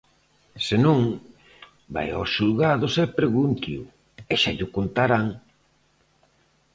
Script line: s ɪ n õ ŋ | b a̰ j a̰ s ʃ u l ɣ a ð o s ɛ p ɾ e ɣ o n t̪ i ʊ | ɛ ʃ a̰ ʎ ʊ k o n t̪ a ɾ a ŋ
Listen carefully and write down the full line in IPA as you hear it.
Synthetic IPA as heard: s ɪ n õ ŋ | b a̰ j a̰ s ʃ u l ɣ a ð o s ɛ p ɾ e ɣ u n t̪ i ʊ | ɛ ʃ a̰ ʎ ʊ k o n t̪ a ɾ a ŋ